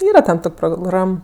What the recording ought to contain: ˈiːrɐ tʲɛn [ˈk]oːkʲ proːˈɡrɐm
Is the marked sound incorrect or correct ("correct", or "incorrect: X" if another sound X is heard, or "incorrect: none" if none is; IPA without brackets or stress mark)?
incorrect: t